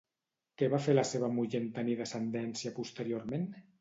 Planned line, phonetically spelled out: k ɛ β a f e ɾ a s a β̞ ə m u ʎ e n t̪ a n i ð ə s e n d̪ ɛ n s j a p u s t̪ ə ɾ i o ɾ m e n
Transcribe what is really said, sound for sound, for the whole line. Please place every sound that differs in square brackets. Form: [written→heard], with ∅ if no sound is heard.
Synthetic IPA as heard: k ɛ β a f e [ɾ→l] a s [a→e] β̞ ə m u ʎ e n t̪ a n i ð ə s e n d̪ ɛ n s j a p u s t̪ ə ɾ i o ɾ m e n